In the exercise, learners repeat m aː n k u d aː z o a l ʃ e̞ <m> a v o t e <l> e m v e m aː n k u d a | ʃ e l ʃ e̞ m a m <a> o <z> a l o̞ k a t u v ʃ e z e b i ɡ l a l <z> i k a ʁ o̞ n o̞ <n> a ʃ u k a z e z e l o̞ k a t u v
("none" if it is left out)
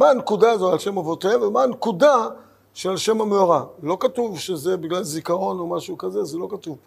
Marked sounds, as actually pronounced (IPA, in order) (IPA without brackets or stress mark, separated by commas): m, none, e, ʁ, z, m